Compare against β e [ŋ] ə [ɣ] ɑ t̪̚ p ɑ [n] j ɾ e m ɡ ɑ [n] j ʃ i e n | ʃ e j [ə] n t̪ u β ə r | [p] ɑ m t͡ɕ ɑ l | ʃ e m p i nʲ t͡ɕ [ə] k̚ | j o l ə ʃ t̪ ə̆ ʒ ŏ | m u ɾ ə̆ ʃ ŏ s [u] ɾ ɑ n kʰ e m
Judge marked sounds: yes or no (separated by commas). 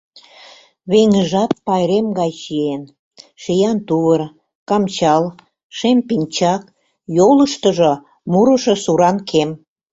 yes, no, no, no, no, no, no, yes